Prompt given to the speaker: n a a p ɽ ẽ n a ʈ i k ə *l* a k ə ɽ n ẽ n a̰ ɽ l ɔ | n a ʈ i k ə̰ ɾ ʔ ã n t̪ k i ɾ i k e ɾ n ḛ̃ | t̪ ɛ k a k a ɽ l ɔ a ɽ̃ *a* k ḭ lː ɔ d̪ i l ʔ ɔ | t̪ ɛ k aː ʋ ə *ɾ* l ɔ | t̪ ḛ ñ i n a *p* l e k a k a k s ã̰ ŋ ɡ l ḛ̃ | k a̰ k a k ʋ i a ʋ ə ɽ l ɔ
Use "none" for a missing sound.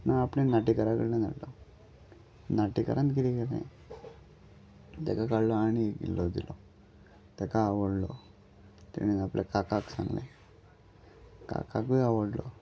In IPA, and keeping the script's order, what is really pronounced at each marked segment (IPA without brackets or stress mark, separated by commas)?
ɾ, i, ɽ, p